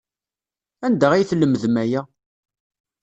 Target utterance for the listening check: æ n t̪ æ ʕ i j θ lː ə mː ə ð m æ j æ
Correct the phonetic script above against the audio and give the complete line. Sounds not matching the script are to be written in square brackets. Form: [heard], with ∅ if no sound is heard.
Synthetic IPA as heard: æ n [d̪] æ [ʁ] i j θ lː ə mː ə ð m æ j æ